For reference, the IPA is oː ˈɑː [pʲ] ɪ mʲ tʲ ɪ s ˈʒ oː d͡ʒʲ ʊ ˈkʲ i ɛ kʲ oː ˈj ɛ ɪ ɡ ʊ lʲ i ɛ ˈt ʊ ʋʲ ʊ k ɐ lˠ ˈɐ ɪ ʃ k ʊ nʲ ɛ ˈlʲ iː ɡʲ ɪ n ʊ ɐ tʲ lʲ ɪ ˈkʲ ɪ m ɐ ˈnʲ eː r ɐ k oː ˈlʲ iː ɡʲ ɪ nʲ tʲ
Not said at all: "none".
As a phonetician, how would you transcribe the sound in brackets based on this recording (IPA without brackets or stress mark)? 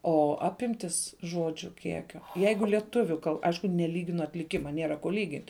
pʲ